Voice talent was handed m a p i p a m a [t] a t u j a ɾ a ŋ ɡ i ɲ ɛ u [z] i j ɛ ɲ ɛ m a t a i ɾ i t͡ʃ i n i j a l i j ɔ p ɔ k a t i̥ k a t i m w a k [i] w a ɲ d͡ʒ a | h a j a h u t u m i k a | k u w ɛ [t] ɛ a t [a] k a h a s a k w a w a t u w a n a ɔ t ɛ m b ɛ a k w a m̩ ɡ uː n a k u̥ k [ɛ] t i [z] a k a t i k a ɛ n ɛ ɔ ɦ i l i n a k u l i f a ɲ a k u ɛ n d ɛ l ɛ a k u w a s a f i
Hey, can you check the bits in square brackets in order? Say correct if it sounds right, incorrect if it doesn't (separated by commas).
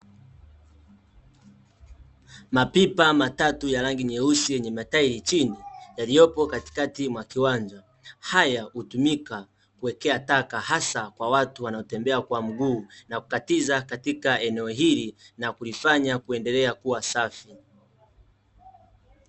correct, incorrect, correct, incorrect, correct, incorrect, correct